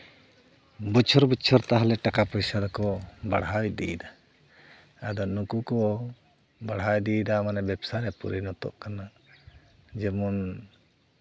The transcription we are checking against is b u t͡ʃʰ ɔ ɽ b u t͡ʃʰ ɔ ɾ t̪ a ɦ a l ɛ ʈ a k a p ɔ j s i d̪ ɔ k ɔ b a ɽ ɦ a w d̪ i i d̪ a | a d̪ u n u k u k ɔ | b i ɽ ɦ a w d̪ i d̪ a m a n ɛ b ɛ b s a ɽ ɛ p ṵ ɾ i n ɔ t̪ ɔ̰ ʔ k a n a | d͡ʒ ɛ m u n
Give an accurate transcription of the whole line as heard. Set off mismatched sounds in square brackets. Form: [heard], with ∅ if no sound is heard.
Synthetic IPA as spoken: b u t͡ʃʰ ɔ [ɾ] b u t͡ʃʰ ɔ ɾ t̪ a ɦ a l ɛ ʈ a k a p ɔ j s [a] d̪ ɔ k ɔ b a ɽ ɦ a w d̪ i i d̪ a | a d̪ [ɔ] n u k u k ɔ | b [a] ɽ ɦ a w d̪ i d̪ a m a n ɛ b ɛ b s a [ɾ] ɛ p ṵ ɾ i n ɔ t̪ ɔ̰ ʔ k a n a | d͡ʒ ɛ m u n